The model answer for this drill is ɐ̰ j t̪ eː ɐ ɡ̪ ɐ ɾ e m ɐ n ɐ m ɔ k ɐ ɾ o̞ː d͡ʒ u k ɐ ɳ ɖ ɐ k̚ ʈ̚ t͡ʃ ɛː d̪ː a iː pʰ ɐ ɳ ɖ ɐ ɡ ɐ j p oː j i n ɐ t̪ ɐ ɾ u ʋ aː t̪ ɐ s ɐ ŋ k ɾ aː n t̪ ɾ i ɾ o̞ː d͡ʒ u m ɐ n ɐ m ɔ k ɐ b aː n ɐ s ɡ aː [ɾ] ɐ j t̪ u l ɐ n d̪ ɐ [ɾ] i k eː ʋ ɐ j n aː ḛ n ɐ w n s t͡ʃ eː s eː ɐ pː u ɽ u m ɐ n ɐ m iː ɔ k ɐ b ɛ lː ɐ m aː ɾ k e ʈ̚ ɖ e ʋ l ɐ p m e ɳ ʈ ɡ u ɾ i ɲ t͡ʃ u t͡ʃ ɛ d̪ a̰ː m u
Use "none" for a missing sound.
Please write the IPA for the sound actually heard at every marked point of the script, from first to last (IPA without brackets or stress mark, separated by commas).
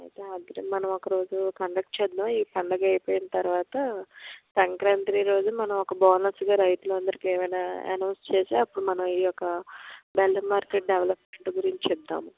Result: ɾ, ɾ